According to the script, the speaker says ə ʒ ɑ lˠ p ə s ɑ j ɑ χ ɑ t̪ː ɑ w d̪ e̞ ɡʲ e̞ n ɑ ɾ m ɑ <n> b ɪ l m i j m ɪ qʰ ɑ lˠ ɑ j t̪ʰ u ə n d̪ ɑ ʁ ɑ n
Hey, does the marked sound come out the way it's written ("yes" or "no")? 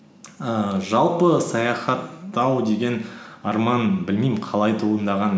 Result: yes